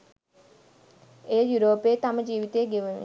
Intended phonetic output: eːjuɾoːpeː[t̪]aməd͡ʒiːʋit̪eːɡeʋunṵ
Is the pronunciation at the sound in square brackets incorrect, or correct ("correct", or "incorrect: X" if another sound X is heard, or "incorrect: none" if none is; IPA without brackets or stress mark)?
correct